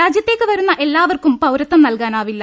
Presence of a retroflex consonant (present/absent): absent